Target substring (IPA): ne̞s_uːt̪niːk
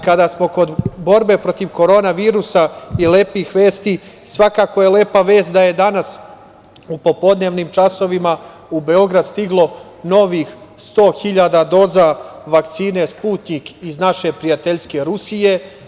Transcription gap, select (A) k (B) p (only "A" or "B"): B